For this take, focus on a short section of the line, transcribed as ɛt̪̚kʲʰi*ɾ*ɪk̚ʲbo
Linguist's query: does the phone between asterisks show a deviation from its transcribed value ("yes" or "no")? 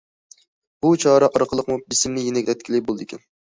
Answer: yes